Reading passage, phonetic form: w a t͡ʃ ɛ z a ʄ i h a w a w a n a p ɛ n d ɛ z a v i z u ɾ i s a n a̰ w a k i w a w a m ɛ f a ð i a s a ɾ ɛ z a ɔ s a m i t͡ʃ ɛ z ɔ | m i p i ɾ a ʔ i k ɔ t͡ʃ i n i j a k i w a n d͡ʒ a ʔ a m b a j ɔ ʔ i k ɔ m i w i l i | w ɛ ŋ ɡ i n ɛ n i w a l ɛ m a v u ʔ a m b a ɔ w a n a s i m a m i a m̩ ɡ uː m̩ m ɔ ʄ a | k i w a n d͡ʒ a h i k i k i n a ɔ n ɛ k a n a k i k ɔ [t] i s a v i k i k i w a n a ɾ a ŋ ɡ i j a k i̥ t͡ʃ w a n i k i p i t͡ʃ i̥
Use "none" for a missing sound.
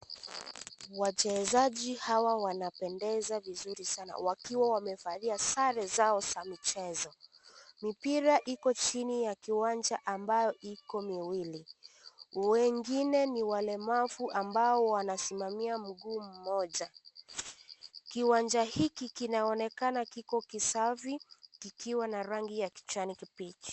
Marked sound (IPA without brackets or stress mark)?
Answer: k